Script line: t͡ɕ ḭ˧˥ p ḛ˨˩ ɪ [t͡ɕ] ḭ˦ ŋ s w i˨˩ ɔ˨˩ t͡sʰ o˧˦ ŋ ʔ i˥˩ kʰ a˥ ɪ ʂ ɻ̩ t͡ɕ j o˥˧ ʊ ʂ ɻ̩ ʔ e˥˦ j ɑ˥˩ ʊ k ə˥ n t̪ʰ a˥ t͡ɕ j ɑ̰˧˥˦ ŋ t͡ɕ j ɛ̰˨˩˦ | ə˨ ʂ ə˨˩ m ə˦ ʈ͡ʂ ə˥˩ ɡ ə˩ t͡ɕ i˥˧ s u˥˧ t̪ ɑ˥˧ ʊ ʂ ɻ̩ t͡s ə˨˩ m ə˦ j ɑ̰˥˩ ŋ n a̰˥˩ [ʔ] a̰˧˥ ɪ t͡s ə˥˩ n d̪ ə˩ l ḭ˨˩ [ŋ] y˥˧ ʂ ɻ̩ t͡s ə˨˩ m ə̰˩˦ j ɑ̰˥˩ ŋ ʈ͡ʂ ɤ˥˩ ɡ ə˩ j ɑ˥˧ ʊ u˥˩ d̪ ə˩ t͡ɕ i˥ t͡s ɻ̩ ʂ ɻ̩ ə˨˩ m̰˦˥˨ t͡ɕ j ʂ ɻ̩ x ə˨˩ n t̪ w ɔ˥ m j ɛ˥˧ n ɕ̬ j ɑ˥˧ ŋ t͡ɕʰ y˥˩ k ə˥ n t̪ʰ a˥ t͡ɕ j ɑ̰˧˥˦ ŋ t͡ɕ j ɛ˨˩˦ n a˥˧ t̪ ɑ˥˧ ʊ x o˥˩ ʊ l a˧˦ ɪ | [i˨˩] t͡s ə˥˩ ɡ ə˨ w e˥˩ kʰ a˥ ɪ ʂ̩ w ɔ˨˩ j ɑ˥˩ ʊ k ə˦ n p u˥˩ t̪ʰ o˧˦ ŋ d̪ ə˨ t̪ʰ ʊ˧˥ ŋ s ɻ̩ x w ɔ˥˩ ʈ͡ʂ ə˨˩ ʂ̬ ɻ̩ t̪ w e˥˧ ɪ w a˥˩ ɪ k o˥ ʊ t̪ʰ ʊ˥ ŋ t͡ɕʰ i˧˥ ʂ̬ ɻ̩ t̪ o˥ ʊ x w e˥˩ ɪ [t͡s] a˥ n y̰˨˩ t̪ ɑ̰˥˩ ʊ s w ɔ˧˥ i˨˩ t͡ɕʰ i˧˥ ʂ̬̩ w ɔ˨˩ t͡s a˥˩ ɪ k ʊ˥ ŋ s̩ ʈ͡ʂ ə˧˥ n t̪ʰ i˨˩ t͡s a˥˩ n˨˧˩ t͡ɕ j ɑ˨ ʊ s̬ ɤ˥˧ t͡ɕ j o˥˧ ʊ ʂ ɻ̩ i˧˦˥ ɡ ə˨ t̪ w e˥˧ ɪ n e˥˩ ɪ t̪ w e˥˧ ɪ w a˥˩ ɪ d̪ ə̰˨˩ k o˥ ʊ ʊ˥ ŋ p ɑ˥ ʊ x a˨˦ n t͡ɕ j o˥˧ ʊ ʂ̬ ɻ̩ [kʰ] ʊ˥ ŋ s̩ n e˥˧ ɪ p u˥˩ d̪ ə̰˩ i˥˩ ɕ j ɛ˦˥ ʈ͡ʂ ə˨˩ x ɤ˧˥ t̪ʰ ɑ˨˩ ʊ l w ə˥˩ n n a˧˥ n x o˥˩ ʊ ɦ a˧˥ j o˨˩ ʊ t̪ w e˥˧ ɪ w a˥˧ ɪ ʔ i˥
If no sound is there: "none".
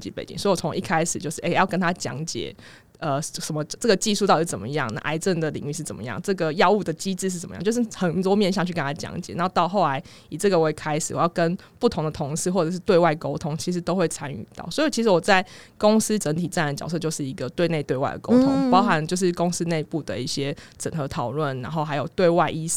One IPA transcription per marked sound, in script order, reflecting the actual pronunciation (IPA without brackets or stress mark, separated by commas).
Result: t͡ɕ, ʔ, ŋ, i˨˩, t͡sʰ, k